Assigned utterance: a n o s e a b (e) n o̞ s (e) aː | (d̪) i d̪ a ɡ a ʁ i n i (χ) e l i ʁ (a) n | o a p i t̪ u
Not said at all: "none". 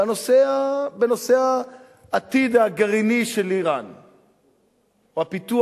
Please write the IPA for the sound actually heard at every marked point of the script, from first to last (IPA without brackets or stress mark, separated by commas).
e, e, t̪, ʃ, a